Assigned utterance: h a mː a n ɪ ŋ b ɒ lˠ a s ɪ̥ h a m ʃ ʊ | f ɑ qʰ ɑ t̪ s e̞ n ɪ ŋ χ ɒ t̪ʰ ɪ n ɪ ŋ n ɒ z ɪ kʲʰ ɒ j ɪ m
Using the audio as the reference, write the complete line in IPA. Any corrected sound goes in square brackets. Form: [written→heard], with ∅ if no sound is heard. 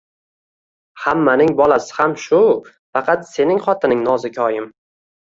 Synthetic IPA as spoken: h a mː a n ɪ ŋ b ɒ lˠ a s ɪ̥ h a m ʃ ʊ | f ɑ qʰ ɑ t̪ s e̞ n ɪ ŋ χ ɒ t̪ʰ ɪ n ɪ ŋ n ɒ z ɪ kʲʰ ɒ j ɪ m